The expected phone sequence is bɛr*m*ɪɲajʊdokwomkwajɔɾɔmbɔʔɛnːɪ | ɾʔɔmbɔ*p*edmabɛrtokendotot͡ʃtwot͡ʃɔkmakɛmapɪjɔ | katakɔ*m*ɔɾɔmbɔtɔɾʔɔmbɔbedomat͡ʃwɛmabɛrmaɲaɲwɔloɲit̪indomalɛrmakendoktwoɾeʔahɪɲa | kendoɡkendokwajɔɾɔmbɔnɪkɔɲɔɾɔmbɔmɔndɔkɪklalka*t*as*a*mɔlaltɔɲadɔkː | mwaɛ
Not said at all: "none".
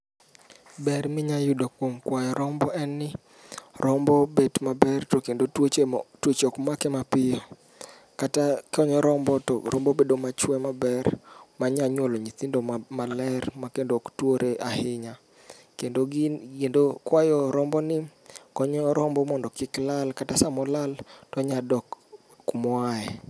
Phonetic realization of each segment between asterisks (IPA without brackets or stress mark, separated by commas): m, b, ɲ, t, a